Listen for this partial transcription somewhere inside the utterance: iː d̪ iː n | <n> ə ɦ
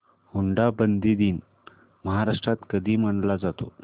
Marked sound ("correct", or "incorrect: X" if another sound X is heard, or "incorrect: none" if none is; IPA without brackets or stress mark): incorrect: m